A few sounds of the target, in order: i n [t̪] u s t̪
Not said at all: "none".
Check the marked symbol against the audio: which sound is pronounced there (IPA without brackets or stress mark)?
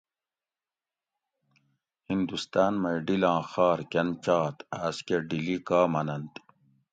d̪